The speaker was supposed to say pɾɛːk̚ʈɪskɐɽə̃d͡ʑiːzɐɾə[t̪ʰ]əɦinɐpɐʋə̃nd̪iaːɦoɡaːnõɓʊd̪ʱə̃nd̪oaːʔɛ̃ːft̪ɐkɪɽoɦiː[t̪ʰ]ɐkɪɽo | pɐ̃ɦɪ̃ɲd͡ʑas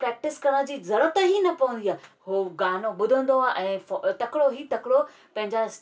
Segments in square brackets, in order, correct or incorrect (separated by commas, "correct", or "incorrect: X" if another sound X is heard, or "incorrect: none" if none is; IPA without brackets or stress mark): incorrect: t̪, incorrect: t̪